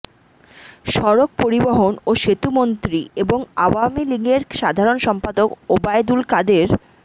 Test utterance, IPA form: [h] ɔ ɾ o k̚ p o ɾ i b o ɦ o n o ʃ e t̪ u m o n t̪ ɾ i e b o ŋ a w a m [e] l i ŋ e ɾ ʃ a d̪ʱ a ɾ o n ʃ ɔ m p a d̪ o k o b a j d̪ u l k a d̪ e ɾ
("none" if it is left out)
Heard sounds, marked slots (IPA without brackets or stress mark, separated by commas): ʃ, i